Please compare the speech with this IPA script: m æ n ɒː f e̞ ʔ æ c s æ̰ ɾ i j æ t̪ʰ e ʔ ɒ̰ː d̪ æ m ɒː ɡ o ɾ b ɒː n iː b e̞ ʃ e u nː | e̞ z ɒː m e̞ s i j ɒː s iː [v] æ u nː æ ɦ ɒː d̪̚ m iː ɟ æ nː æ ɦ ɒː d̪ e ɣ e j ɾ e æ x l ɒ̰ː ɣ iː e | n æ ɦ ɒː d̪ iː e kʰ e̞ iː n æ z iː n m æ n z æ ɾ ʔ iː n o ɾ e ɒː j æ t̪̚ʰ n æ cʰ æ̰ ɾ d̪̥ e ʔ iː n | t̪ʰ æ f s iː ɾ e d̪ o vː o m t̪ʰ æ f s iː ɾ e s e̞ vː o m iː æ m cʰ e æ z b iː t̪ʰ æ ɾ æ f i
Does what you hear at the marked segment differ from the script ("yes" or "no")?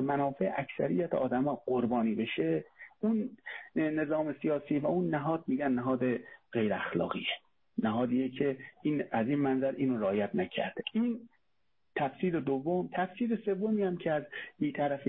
no